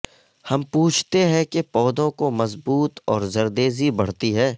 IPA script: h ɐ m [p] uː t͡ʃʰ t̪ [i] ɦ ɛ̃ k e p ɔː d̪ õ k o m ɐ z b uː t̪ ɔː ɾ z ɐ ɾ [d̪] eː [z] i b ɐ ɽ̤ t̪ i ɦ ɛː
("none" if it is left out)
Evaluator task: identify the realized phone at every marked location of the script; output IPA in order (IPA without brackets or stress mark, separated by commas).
p, e, d̪, z